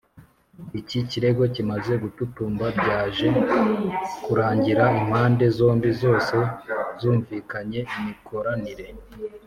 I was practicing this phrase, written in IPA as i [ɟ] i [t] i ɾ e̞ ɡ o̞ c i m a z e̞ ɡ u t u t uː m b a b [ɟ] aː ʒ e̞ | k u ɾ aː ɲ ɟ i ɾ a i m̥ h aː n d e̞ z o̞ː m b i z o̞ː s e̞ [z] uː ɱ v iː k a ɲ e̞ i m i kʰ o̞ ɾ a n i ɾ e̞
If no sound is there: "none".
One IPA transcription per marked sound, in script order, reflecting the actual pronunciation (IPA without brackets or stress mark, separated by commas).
c, c, ɟ, z